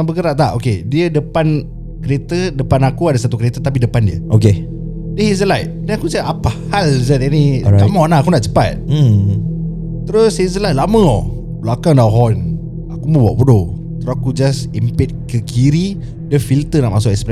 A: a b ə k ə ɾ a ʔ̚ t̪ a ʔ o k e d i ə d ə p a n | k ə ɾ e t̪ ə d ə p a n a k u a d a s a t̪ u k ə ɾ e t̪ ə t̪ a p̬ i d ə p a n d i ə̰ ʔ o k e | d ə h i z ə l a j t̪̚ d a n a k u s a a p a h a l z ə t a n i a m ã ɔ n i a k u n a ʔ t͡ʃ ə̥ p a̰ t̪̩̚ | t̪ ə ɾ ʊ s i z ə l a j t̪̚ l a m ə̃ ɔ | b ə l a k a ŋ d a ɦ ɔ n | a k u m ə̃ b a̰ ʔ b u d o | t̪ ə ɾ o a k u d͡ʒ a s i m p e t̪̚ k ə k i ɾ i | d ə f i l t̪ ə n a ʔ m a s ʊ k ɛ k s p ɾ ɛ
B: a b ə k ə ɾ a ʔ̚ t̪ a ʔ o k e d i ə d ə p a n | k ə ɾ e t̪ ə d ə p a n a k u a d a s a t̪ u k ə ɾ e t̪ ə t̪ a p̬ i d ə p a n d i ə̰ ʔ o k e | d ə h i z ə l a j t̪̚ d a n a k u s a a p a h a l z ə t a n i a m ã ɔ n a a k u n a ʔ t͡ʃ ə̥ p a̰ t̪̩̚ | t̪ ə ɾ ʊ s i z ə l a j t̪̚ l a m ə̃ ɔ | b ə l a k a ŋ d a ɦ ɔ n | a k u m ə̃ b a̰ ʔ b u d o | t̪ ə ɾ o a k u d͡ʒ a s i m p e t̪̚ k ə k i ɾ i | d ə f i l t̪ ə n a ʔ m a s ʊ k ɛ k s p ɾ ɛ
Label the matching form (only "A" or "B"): B